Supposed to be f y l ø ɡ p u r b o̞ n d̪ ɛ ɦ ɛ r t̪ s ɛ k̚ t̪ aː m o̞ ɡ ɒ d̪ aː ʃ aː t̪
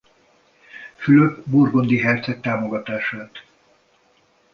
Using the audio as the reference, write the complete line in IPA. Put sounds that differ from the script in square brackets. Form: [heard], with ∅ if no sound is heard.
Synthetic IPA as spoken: f y l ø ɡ [b] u r [ɡ] o̞ n d̪ [i] ɦ ɛ r t̪ s ɛ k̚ t̪ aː m o̞ ɡ ɒ [t̪] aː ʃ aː t̪